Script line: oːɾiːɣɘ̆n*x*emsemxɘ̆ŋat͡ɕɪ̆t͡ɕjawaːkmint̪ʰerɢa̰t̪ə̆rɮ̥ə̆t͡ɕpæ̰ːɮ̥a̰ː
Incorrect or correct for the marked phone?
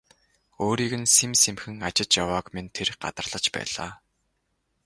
incorrect: s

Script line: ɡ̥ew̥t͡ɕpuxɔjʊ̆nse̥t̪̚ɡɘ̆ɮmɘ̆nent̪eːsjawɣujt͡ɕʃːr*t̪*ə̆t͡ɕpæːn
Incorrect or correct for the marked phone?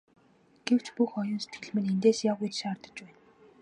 correct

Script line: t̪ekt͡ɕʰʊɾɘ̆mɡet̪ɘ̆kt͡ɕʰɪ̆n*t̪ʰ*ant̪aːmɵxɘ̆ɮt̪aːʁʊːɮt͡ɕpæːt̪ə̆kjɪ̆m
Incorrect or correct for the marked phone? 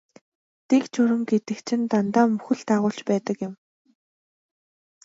incorrect: t̪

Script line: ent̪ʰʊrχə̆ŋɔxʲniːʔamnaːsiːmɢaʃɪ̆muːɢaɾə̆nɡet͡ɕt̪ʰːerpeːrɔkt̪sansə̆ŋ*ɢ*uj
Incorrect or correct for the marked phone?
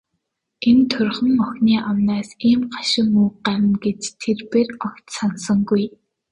incorrect: ɡ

